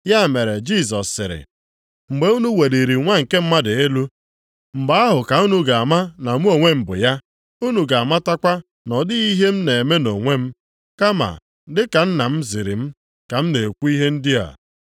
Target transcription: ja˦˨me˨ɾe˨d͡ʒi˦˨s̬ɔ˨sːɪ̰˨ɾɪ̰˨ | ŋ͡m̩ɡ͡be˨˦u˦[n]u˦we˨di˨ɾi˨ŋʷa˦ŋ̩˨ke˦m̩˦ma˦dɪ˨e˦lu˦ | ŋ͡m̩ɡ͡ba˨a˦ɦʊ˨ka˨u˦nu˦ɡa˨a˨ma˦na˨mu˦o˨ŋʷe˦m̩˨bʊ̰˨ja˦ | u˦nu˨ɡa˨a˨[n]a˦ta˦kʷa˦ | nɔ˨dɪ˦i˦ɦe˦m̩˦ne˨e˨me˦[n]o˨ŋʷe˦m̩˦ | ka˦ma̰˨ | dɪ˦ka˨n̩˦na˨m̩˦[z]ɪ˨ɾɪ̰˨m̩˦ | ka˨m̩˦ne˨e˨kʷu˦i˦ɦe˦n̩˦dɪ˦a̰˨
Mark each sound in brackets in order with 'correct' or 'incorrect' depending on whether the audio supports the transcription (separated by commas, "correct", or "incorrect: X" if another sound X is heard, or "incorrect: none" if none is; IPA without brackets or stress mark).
correct, incorrect: m, correct, correct